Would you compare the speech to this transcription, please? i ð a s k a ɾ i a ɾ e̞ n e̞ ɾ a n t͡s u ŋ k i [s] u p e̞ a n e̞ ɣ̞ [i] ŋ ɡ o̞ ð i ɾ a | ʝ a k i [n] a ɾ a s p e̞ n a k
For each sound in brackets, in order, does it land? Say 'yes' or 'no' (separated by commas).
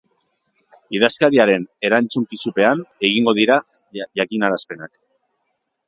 yes, yes, yes